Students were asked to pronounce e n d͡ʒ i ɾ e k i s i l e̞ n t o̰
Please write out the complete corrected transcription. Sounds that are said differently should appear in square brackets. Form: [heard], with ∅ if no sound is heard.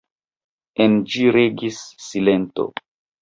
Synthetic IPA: e n d͡ʒ i ɾ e [ɡ] i [sː] i l e̞ n t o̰